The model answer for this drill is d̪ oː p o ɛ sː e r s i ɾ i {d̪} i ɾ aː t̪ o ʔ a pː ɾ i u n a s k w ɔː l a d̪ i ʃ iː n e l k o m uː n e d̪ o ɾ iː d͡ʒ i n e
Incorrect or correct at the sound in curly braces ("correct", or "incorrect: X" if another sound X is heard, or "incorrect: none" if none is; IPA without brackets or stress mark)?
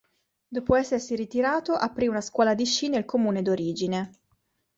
incorrect: t̪